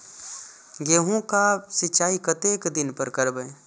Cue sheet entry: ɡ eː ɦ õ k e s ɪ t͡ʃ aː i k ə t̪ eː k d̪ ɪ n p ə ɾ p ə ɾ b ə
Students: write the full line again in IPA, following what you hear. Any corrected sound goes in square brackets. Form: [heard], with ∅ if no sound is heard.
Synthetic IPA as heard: ɡ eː ɦ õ k [a] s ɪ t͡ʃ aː i k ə t̪ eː k d̪ ɪ n p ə ɾ [k] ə ɾ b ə